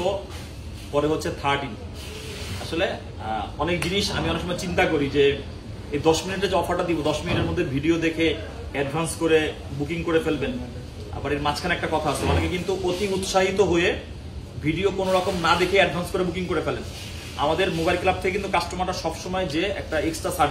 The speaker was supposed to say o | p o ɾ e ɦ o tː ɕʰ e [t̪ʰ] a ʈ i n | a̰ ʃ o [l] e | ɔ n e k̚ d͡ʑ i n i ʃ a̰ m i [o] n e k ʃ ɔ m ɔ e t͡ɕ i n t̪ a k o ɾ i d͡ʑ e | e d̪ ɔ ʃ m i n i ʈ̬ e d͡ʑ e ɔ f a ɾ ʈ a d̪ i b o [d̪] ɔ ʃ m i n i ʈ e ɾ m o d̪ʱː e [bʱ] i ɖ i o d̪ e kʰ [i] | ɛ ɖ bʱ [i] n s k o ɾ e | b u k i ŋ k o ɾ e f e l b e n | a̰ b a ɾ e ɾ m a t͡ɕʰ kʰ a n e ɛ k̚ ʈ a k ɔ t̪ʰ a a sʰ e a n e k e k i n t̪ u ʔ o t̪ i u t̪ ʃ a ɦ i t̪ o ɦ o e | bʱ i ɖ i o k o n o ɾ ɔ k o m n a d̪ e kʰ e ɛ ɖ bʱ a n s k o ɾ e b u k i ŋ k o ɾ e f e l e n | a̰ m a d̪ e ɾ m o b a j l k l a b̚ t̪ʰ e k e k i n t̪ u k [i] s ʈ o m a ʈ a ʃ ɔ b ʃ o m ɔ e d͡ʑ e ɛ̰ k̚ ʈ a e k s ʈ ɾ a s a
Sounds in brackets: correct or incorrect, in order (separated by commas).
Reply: correct, correct, incorrect, correct, correct, incorrect, incorrect, incorrect